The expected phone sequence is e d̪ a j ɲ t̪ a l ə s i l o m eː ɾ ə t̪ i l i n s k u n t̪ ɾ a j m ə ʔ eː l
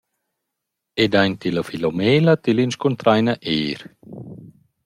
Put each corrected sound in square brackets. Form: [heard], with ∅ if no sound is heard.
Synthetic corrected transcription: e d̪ a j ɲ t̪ [i] l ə [f] i l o m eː [l] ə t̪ i l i n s k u n t̪ ɾ a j [n] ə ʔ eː [ɾ]